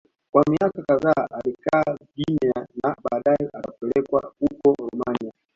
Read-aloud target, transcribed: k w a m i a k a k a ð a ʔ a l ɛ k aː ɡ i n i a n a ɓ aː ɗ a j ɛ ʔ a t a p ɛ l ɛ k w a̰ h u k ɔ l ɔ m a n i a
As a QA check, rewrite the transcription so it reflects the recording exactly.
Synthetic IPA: k w a m i a k a k a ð a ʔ a l i k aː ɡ i n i a n a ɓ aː ɗ a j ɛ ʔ a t a p ɛ l ɛ k w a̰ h u k ɔ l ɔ m a n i a